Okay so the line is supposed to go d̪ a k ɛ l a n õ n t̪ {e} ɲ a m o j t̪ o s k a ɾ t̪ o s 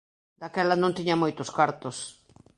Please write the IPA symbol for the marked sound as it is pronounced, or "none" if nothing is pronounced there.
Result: i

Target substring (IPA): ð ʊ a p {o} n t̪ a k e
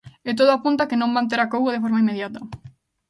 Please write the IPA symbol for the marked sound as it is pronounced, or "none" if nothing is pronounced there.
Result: u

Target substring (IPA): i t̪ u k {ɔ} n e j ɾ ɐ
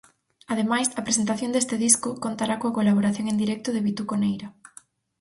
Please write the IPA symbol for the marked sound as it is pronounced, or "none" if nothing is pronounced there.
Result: o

